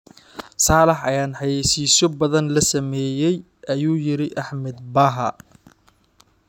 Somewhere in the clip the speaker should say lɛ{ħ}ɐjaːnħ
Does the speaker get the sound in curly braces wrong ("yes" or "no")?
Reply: no